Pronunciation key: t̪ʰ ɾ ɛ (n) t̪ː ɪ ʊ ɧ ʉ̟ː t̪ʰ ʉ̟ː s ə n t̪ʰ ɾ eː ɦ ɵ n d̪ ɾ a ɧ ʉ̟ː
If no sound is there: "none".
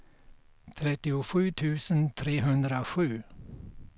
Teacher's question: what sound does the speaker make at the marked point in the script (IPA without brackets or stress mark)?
none